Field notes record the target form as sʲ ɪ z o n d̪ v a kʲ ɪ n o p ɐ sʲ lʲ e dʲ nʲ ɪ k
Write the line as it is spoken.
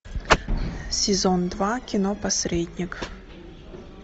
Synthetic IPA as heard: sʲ ɪ z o n d̪ v a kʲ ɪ n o p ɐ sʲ ɾʲ e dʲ nʲ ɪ k